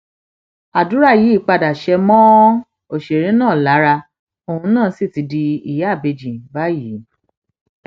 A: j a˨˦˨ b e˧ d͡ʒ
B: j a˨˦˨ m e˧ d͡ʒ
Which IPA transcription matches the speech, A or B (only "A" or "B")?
A